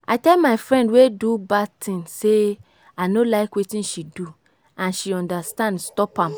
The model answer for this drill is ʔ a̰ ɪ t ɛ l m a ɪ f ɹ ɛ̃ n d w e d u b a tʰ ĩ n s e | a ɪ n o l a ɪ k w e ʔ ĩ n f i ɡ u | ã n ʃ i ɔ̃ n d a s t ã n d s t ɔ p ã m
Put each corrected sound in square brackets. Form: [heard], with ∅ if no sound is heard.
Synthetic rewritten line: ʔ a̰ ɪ t ɛ l m a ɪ f ɹ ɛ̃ n d w e d u b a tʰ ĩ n s e | a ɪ n o l a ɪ k w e [t] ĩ n [ʃ] i [d] u | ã n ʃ i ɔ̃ n d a s t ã n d s t ɔ p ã m

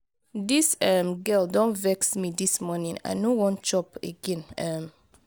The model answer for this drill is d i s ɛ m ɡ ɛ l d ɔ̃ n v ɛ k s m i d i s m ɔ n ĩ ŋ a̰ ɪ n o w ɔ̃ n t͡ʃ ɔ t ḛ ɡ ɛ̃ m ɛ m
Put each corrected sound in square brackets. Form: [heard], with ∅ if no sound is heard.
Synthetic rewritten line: d i s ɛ m ɡ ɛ l d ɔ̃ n v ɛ k s m i d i s m ɔ n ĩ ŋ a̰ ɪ n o w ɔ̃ n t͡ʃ ɔ [p] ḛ ɡ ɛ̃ [n] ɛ m

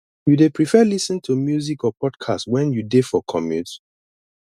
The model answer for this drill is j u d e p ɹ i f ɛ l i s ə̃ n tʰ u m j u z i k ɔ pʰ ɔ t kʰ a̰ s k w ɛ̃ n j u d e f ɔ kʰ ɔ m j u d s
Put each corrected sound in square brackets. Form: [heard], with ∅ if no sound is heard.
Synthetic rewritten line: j u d e p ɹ i f ɛ l i s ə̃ n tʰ u m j u z i k ɔ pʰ ɔ [d] kʰ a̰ s [t] w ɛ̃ n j u d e f ɔ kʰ ɔ m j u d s

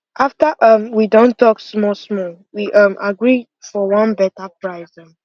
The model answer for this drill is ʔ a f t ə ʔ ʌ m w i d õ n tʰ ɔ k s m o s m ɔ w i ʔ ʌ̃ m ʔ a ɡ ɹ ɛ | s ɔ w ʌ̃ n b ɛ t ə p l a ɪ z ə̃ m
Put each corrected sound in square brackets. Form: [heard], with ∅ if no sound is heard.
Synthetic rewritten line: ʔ a f t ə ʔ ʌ m w i d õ n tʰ ɔ k s m [ɔ] s m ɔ w i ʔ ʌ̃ m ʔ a ɡ ɹ [i] | [f] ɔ w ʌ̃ n b ɛ t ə p [ɹ] a ɪ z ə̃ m

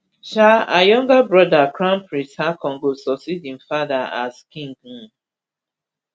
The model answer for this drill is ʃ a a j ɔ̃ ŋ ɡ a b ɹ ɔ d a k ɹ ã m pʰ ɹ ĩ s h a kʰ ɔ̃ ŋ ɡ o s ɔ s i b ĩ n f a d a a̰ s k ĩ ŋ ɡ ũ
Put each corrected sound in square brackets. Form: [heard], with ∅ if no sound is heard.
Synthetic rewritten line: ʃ a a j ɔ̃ ŋ ɡ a b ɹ ɔ d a k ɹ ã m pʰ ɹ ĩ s h a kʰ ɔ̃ ŋ ɡ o s ɔ s i [d] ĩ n f a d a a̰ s k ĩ ŋ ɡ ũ

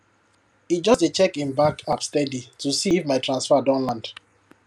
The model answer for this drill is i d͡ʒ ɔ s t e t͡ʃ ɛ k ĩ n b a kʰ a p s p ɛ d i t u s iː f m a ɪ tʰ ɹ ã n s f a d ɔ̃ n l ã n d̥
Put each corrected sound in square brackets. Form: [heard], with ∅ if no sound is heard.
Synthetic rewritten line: i d͡ʒ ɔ s t e t͡ʃ ɛ k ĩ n b a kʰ a p s [t] ɛ d i t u s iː f m a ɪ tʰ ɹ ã n s f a d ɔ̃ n l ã n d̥

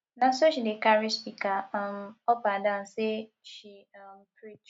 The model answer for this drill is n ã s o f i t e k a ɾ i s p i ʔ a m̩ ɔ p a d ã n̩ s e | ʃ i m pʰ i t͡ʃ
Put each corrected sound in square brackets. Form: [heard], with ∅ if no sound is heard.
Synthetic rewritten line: n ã s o [ʃ] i [d] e k a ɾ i s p i [k] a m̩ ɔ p a d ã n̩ s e | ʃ i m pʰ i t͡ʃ

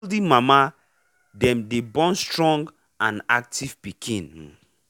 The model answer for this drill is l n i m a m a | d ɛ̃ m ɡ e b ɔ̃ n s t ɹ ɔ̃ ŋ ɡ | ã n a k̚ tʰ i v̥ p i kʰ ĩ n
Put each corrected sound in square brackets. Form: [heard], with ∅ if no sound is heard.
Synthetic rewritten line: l [d] i m a m a | d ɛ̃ m [d] e b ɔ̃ n s t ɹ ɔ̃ ŋ ɡ | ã n a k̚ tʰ i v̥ p i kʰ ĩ n

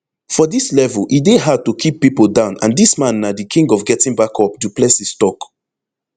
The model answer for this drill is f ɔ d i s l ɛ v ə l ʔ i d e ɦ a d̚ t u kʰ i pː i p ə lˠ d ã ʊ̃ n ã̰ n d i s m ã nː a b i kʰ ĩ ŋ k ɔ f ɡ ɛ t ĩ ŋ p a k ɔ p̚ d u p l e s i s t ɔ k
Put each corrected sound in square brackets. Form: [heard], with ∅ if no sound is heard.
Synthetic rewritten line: f ɔ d i s l ɛ v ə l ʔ i d e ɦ a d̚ t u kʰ i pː i p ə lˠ d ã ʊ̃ n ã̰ n d i s m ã nː a [d] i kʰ ĩ ŋ [ɡ] ɔ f ɡ ɛ t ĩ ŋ [b] a k ɔ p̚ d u p l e s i s t ɔ k

